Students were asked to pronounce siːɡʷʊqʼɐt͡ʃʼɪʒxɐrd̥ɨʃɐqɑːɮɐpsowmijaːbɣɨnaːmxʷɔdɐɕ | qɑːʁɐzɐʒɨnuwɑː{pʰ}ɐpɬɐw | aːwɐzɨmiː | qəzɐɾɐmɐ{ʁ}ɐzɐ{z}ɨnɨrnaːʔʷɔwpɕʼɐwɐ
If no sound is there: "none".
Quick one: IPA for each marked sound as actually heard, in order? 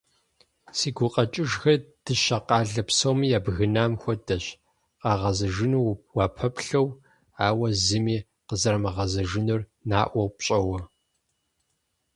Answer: pʰ, ʁ, ʒ

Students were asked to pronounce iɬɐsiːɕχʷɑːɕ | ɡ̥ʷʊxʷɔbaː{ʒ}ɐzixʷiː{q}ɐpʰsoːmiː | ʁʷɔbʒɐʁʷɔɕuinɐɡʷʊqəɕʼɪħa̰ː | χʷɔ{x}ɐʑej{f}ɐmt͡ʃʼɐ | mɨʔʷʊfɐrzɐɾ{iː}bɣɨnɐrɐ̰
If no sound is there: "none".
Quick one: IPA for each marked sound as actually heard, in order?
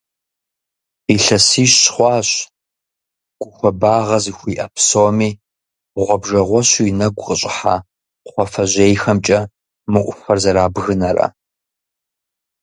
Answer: ʁ, ʔ, f, x, aː

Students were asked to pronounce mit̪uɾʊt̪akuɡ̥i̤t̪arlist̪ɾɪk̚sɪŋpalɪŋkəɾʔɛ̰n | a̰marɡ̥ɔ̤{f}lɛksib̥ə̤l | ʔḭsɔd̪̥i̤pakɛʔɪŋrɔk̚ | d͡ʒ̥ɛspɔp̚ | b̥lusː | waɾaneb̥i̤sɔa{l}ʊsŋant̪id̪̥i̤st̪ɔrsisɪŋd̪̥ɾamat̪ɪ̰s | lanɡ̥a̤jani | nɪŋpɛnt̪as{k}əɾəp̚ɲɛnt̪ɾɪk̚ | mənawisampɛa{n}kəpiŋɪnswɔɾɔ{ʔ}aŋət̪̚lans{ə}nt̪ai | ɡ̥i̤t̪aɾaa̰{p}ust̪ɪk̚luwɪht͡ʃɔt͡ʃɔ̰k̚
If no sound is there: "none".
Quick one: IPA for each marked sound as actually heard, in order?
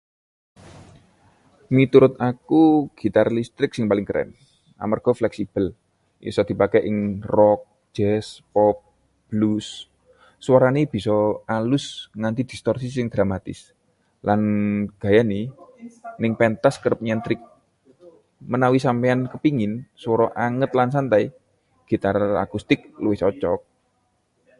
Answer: f, l, k, n, ʔ, a, k

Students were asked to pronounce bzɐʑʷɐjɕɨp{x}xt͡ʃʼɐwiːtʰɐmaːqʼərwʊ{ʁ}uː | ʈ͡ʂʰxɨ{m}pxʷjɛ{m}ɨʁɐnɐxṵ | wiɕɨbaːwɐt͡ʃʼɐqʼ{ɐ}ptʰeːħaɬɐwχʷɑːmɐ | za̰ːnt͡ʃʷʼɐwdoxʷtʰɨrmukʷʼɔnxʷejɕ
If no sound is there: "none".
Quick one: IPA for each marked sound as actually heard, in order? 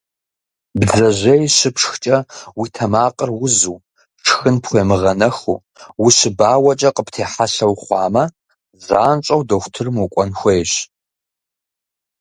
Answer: ʂ, z, n, m, ə

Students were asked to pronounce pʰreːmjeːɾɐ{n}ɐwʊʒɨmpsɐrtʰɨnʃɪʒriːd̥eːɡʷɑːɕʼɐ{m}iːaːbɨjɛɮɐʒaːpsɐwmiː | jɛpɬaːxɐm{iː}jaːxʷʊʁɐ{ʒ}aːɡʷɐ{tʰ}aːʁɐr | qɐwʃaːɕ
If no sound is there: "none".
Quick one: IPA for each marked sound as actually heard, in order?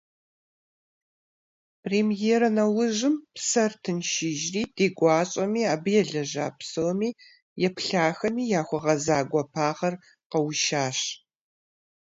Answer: n, m, iː, z, pʰ

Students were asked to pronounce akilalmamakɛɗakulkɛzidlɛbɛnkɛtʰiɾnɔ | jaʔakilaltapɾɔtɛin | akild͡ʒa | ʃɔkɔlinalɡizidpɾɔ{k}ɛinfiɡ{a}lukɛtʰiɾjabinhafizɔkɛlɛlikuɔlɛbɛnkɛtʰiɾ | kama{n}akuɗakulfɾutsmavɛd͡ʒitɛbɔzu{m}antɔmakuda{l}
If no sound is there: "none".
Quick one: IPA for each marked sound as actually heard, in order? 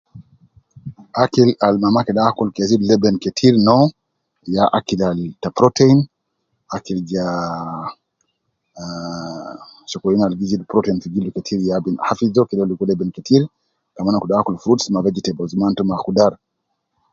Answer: t, i, n, m, ɾ

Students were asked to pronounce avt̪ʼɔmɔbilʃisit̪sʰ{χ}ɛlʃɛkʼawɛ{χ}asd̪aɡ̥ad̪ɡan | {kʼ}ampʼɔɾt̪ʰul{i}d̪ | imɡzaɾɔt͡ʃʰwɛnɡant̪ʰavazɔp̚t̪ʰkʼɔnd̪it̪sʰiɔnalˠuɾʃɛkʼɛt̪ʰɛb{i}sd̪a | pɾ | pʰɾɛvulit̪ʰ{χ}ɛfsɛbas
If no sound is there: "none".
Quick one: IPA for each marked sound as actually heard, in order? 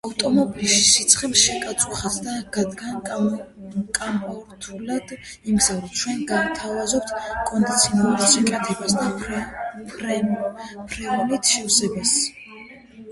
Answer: χ, χ, kʼ, a, a, ʃ

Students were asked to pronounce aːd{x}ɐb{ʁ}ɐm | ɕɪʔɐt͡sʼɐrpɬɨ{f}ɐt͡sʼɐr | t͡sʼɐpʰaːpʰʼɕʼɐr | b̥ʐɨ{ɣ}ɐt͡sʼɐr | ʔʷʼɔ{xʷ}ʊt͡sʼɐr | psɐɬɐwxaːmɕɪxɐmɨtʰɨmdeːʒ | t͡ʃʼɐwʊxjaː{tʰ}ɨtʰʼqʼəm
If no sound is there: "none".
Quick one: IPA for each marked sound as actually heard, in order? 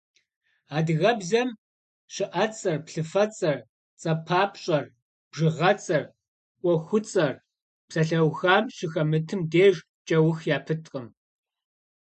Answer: ɣ, z, f, ʁ, xʷ, pʰ

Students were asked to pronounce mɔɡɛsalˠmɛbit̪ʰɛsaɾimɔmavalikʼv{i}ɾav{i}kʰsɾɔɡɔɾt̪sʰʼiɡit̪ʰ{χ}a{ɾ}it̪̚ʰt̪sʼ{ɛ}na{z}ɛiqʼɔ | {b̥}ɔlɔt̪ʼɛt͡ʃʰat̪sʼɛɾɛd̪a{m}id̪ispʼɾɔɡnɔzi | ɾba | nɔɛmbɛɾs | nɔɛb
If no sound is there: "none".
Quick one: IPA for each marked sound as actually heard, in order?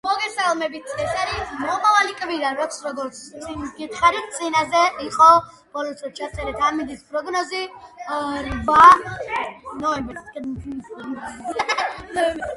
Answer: i, a, χ, ɾ, i, z, b̥, m

